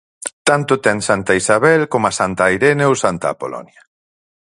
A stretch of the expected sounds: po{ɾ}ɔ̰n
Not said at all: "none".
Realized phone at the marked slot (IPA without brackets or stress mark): l